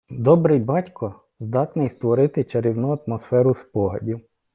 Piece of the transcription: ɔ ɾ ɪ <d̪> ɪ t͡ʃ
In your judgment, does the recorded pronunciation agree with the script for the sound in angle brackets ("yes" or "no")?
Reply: no